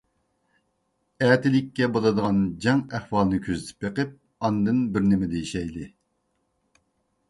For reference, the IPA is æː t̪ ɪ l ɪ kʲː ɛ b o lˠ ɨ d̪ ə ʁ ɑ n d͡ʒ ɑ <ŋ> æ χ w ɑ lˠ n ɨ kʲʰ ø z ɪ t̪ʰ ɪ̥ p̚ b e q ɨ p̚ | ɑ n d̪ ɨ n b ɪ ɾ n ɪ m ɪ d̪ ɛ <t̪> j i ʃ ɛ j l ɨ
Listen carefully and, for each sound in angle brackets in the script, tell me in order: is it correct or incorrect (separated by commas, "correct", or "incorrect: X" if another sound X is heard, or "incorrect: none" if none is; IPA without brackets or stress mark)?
correct, incorrect: none